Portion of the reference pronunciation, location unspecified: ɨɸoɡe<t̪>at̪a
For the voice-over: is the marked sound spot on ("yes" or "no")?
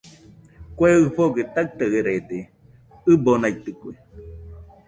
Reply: yes